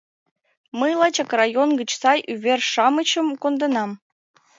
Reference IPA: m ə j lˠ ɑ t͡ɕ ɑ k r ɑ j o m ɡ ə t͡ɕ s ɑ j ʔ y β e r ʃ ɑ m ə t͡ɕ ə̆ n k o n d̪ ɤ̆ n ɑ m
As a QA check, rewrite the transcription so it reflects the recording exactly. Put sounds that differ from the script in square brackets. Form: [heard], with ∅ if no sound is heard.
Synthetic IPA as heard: m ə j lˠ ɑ t͡ɕ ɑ k r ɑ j o [n] ɡ ə t͡ɕ s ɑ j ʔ y β e r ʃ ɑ m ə t͡ɕ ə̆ [m] k o n d̪ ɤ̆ n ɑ m